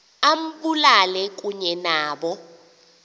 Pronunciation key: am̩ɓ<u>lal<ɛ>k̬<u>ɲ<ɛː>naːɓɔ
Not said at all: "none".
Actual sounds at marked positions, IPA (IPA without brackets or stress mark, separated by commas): u, ɛ, u, ɛ